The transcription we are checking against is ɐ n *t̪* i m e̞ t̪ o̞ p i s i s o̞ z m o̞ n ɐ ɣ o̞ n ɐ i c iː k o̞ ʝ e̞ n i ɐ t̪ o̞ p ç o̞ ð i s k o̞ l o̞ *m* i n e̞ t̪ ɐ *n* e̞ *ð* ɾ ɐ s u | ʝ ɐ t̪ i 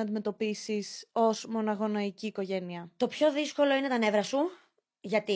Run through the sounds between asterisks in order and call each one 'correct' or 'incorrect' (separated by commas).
incorrect, incorrect, correct, incorrect